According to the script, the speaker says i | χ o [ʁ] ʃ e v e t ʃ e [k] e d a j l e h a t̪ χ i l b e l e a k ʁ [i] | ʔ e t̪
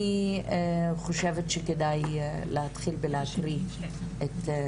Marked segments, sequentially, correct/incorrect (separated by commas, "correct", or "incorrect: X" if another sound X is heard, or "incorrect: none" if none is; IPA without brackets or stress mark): incorrect: none, correct, correct